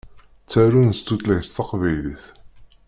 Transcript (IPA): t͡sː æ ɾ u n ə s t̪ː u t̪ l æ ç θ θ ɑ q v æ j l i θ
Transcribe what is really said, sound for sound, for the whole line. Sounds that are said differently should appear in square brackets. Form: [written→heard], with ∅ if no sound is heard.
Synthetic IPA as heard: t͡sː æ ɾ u n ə s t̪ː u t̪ l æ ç θ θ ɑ q v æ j l i θ